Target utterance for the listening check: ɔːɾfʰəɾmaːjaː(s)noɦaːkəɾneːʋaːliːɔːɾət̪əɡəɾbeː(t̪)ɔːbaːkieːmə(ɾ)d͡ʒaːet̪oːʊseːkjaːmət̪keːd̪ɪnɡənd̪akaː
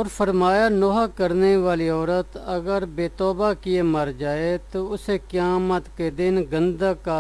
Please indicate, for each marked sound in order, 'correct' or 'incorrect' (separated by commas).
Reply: incorrect, correct, correct